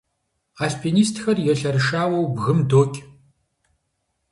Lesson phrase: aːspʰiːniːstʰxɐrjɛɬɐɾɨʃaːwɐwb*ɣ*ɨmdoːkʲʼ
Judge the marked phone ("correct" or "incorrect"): correct